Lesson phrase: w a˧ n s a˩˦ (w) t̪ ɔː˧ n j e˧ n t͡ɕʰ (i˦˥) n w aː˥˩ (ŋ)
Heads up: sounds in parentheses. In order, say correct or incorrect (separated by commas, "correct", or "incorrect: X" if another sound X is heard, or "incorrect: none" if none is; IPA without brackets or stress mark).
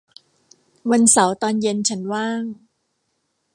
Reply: correct, incorrect: a˦˥, correct